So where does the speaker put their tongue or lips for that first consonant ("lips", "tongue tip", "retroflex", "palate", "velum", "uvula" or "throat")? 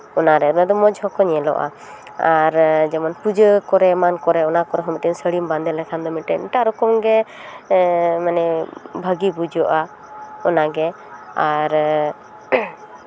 tongue tip